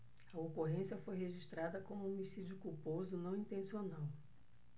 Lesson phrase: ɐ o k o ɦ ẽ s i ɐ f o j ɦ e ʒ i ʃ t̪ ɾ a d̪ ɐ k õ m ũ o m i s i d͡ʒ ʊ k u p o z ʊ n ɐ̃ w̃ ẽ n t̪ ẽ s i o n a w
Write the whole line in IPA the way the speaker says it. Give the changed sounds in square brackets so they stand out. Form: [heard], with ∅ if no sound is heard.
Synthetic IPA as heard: ɐ o k o ɦ ẽ s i ɐ f o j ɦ e ʒ i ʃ t̪ ɾ a d̪ ɐ k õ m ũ o m i s i d͡ʒ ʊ k u p o z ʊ n ɐ̃ w̃ [ĩ] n t̪ ẽ s i o n a w